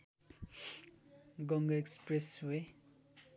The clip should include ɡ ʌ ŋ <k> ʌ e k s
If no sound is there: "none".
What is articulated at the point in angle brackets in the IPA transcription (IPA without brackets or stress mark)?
ɡ